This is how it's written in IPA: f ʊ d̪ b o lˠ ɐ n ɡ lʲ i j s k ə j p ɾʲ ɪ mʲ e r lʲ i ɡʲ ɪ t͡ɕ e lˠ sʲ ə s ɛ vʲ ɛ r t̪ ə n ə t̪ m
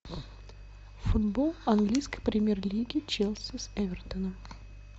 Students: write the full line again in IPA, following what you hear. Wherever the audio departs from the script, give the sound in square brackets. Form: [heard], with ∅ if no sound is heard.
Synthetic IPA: f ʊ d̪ b o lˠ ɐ n ɡ lʲ i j s k ə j p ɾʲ ɪ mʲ e r lʲ i ɡʲ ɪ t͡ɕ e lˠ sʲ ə s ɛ vʲ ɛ r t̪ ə n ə [∅] m